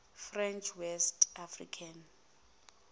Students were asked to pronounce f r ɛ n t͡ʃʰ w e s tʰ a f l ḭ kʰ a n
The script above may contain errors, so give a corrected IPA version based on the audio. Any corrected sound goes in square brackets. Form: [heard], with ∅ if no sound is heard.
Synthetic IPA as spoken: f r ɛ n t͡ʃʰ w [ɛ] s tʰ a f [r] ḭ kʰ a n